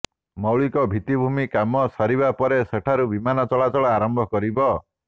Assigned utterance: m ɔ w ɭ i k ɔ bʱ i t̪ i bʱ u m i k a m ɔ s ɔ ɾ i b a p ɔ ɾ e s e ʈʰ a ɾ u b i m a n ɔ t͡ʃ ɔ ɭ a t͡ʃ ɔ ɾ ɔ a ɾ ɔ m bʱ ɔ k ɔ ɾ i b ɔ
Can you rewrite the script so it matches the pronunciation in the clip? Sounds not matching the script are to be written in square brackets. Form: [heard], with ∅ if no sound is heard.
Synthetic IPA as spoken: m ɔ w ɭ i k ɔ bʱ i t̪ i bʱ u m i k a m ɔ s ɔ ɾ i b a p ɔ ɾ e s e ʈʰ a ɾ u b i m a n ɔ t͡ʃ ɔ ɭ a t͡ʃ ɔ [ɭ] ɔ a ɾ ɔ m bʱ ɔ k ɔ ɾ i b ɔ